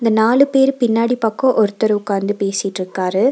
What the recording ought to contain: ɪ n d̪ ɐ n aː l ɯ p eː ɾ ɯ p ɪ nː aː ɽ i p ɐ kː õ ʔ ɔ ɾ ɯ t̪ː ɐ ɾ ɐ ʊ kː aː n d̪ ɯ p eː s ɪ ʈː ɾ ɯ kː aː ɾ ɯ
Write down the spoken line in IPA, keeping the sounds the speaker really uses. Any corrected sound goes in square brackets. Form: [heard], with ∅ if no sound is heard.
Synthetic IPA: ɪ n d̪ ɐ n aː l ɯ p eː ɾ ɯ p ɪ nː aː ɽ i p ɐ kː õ ʔ ɔ ɾ ɯ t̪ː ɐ ɾ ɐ ʊ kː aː n d̪ ɯ p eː s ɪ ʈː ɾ ɯ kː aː ɾ ɯ

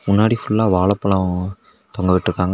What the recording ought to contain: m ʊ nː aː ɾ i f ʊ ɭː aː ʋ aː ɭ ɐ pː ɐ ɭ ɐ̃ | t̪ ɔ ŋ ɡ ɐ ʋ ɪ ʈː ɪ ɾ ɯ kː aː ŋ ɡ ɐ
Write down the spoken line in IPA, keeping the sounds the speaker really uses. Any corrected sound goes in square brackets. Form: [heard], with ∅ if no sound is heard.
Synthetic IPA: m ʊ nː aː [ɽ] i f ʊ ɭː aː ʋ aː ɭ ɐ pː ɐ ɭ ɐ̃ | t̪ ɔ ŋ ɡ ɐ ʋ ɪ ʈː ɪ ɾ ɯ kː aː ŋ ɡ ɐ

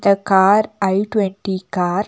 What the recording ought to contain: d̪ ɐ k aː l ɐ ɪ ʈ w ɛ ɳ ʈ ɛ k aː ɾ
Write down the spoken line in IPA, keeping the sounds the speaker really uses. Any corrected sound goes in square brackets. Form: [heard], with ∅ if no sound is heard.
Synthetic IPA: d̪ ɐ k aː [ɾ] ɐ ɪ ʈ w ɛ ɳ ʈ [i] k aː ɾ

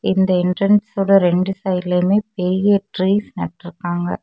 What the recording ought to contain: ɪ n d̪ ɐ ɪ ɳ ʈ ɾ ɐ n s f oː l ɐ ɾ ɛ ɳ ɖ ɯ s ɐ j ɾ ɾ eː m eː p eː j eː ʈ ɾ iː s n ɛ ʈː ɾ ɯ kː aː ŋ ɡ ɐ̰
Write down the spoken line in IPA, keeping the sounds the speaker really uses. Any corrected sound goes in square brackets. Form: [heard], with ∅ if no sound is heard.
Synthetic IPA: ɪ n d̪ ɐ ɪ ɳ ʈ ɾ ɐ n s [s] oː [ɽ] ɐ ɾ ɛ ɳ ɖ ɯ s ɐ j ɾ [l] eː m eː p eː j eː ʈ ɾ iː s n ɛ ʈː ɾ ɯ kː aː ŋ ɡ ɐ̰

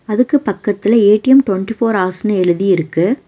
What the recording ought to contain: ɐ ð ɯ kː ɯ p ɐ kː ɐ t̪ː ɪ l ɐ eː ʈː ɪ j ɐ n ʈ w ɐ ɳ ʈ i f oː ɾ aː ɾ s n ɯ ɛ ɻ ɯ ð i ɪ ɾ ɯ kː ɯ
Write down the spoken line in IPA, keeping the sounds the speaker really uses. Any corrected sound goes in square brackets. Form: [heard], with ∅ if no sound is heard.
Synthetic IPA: ɐ ð ɯ kː ɯ p ɐ kː ɐ t̪ː ɪ l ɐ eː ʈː ɪ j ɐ [m] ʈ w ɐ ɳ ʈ i f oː ɾ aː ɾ s n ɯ ɛ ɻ ɯ ð i ɪ ɾ ɯ kː ɯ

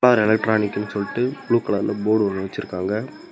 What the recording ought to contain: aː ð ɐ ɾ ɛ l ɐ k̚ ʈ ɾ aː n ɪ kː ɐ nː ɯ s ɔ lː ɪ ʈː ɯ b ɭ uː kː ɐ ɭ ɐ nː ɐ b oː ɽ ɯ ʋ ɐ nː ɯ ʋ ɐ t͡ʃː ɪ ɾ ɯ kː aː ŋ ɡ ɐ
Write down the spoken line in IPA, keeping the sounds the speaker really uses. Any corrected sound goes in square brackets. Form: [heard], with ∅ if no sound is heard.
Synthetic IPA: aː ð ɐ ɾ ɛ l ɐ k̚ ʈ ɾ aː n ɪ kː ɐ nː ɯ s ɔ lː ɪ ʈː ɯ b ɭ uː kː ɐ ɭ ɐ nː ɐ b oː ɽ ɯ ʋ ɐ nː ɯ ʋ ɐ t͡ʃː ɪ ɾ ɯ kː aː ŋ ɡ ɐ

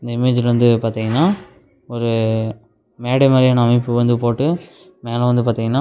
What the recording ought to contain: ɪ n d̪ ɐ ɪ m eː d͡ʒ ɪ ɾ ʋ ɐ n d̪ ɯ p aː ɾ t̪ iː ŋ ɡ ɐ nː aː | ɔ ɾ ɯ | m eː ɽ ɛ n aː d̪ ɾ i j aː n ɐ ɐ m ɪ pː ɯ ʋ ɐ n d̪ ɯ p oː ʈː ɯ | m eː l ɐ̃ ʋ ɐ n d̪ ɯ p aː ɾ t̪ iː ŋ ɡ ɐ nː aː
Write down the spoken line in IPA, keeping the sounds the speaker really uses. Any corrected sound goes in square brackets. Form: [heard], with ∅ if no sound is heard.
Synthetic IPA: ɪ n d̪ ɐ ɪ m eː d͡ʒ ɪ [l] ʋ ɐ n d̪ ɯ p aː ɾ t̪ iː ŋ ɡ ɐ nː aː | ɔ ɾ ɯ | m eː ɽ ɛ [m] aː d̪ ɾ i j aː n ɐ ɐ m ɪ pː ɯ ʋ ɐ n d̪ ɯ p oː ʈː ɯ | m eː l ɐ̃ ʋ ɐ n d̪ ɯ p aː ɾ t̪ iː ŋ ɡ ɐ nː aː

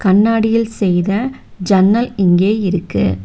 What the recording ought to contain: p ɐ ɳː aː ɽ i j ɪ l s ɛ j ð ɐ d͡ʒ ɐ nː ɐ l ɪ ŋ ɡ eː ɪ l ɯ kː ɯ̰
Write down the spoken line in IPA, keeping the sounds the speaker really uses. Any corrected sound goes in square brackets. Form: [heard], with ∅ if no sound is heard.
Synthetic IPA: [k] ɐ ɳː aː ɽ [ɪ] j ɪ l s ɛ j ð ɐ d͡ʒ ɐ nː ɐ l ɪ ŋ ɡ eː ɪ [ɾ] ɯ kː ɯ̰

